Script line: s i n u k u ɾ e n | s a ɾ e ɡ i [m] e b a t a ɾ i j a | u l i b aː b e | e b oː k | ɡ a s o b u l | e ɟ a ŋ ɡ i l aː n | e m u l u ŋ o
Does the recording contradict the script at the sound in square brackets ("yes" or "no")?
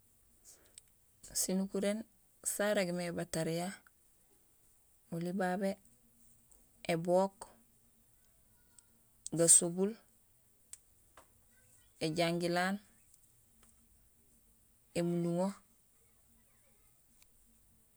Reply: no